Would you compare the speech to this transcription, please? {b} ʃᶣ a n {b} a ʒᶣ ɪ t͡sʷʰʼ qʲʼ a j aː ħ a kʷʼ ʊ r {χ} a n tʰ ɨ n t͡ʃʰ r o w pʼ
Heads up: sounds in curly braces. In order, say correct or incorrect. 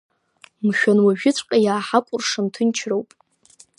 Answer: incorrect, incorrect, incorrect

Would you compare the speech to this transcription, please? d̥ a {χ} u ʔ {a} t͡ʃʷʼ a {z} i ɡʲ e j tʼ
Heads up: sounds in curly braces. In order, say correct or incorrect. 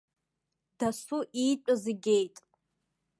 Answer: incorrect, incorrect, correct

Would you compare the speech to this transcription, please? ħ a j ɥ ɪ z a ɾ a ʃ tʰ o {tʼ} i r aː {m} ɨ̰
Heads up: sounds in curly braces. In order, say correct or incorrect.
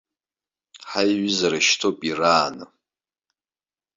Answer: incorrect, incorrect

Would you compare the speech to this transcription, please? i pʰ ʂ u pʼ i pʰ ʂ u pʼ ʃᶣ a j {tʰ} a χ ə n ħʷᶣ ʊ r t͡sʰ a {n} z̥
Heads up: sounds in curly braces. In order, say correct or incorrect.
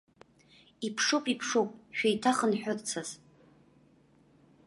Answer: correct, incorrect

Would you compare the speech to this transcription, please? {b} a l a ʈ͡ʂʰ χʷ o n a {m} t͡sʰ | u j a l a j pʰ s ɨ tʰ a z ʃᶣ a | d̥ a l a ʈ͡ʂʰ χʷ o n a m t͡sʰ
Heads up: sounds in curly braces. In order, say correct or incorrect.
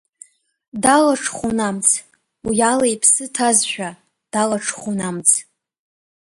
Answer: incorrect, correct

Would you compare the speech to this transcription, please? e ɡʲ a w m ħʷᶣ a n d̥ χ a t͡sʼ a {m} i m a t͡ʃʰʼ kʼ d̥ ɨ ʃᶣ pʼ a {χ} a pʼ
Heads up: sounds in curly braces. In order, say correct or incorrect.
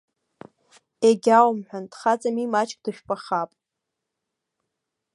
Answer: correct, correct

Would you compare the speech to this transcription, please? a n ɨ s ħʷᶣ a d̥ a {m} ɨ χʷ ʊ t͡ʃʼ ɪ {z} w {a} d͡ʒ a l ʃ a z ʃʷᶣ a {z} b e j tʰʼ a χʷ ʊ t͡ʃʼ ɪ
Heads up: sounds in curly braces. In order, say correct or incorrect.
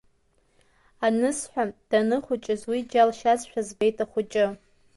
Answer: incorrect, correct, incorrect, correct

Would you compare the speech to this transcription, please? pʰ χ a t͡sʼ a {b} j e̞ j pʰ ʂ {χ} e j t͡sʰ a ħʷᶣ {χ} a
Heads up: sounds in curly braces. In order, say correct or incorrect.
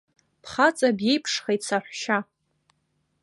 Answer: correct, correct, incorrect

